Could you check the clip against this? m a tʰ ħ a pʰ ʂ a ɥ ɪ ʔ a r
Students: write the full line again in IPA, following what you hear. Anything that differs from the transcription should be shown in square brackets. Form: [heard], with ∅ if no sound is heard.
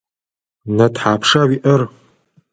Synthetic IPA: [n] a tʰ ħ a pʰ ʂ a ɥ [i] ʔ [ə] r